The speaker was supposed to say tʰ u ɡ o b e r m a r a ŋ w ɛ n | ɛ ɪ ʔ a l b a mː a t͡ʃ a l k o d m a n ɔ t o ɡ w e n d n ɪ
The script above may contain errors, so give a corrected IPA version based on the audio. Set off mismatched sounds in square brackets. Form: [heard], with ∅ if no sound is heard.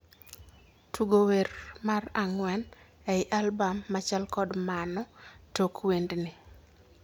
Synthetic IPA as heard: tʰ u ɡ o [w] e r m a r a ŋ w ɛ n | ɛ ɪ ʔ a l b a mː a t͡ʃ a l k [ɔ] d m a n ɔ t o [k] w e n d n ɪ